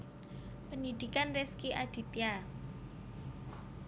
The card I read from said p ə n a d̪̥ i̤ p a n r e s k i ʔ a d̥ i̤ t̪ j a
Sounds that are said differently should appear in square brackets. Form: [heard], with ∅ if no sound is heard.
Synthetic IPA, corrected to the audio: p ə n [i] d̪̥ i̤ [k] a n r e s k i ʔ a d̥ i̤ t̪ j a